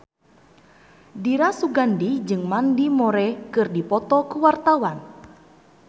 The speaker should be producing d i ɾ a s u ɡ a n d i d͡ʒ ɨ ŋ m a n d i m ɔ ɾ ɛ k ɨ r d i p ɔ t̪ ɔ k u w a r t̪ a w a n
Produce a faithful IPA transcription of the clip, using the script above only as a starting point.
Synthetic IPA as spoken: d i ɾ a s u ɡ a n d i d͡ʒ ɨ ŋ m a n d i m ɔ ɾ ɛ k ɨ r d i p ɔ t̪ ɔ k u w a r t̪ a w a n